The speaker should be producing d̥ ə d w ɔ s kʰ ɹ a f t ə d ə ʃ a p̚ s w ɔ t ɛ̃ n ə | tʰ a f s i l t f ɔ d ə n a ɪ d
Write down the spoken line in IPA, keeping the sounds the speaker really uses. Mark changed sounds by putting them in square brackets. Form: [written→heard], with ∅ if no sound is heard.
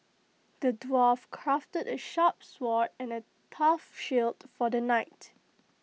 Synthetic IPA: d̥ ə d w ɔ [s→f] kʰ ɹ a f t ə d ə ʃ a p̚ s w ɔ t ɛ̃ n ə | tʰ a f [s→ʃ] i l t f ɔ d ə n a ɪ [d→t]